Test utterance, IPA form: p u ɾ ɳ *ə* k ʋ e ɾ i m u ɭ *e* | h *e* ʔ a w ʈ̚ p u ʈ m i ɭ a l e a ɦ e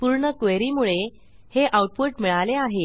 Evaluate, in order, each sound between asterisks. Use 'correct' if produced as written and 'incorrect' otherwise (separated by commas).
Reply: correct, correct, correct